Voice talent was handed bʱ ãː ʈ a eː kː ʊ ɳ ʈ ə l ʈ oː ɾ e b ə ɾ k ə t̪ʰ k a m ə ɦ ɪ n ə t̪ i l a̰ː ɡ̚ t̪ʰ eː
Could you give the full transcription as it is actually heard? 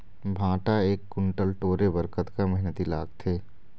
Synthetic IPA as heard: bʱ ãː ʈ a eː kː ʊ ɳ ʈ ə l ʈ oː ɾ e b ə ɾ k ə t̪ k a m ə ɦ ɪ n ə t̪ i l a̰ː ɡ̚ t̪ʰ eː

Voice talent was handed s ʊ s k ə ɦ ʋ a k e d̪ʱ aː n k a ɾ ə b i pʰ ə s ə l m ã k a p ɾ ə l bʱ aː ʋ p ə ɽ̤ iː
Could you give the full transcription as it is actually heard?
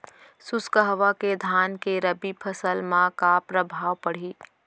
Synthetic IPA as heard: s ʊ s k ə ɦ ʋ a k e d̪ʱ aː n k e ɾ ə b i pʰ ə s ə l m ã k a p ɾ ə bʱ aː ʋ p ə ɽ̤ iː

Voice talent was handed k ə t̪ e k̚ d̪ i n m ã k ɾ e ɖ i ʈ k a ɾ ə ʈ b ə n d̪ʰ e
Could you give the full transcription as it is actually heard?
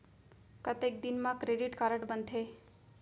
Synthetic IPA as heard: k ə t̪ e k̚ d̪ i n m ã k ɾ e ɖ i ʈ k a ɾ ə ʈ b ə n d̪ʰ e

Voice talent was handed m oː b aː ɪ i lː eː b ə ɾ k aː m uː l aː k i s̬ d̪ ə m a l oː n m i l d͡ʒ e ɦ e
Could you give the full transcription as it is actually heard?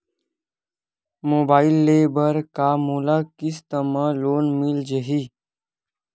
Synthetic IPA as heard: m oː b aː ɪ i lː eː b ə ɾ k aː m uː l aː k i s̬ t̪ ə m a l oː n m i l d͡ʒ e ɦ i

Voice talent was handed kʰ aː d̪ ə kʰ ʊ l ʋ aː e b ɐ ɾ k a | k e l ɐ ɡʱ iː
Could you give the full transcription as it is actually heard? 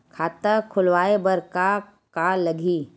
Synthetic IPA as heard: kʰ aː t̪ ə kʰ ʊ l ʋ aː e b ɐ ɾ k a | k a l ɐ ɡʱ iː

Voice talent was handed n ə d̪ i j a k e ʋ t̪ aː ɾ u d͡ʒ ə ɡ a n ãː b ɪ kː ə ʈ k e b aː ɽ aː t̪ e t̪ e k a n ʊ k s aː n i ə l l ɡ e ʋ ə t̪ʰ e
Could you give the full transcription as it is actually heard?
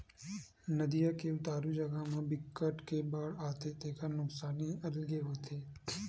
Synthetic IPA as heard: n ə d̪ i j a k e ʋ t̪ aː ɾ u d͡ʒ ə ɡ a m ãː b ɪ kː ə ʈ k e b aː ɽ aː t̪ e t̪ e k a n ʊ k s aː n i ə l l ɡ e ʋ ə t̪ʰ e

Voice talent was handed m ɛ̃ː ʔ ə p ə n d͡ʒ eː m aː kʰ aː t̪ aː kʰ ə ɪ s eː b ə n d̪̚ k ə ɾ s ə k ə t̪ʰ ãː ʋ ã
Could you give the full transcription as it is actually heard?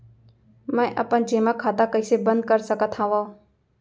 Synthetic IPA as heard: m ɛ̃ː ʔ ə p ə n d͡ʒ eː m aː kʰ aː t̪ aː k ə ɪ s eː b ə n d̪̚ k ə ɾ s ə k ə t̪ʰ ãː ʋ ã

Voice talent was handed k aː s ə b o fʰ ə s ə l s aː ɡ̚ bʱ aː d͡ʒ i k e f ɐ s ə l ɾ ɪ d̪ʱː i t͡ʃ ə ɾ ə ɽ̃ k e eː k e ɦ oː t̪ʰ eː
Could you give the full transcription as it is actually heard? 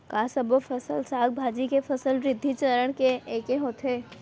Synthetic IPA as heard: k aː s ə b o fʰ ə s ə l s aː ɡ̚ bʱ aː d͡ʒ i k e f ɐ s ə l ɾ ɪ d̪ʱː i t͡ʃ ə ɾ ə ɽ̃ k e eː k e ɦ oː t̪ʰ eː

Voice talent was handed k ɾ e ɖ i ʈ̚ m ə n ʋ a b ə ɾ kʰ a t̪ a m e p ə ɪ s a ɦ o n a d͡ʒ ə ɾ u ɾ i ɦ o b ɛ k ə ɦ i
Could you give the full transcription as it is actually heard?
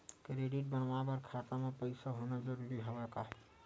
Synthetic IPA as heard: k ɾ e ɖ i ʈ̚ b ə n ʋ a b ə ɾ kʰ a t̪ a m e p ə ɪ s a ɦ o n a d͡ʒ ə ɾ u ɾ i ɦ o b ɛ k a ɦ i

